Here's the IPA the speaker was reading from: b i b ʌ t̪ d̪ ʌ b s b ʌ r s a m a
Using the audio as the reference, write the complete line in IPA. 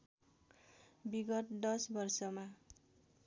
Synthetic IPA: b i ɡ ʌ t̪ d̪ ʌ s b ʌ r s ʌ m a